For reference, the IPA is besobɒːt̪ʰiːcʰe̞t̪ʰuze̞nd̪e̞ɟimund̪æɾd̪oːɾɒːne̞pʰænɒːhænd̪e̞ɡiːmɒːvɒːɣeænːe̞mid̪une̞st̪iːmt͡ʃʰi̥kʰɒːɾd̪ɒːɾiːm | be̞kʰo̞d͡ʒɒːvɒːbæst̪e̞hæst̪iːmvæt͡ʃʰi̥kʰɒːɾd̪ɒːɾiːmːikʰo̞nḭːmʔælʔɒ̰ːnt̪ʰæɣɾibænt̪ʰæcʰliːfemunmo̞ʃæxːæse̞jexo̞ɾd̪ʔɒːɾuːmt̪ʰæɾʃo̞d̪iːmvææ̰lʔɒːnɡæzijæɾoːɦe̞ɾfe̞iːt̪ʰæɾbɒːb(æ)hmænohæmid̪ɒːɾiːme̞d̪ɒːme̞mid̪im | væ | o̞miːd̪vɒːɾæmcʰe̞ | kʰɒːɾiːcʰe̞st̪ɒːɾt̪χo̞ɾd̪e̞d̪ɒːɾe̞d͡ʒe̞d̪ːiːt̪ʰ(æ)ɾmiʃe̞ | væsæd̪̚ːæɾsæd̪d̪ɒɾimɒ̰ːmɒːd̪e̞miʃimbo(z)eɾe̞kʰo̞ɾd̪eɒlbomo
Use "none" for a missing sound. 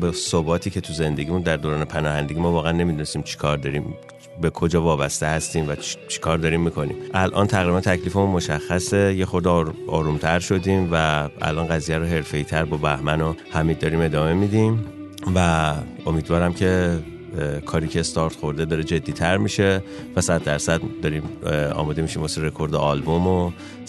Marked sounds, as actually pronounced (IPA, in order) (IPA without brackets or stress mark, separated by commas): æ, æ, s